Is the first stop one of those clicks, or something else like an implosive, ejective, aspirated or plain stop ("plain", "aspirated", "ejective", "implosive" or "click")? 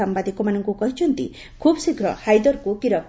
plain